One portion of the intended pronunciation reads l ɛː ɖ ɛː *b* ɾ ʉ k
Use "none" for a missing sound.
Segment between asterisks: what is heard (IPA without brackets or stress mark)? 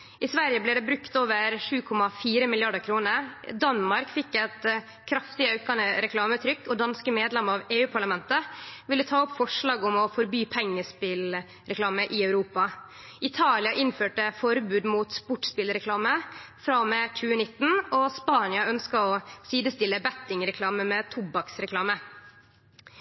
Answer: b